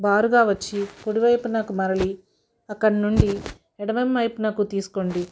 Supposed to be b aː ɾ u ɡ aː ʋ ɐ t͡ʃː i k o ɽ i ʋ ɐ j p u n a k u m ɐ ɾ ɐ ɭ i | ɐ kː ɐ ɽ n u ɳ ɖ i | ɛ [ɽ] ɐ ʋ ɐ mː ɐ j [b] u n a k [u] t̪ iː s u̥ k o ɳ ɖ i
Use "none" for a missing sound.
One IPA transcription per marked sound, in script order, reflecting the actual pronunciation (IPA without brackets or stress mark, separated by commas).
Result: ɽ, p, u